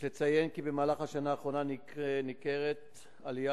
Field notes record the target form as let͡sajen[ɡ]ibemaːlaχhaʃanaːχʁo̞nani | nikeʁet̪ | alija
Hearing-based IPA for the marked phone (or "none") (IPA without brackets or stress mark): k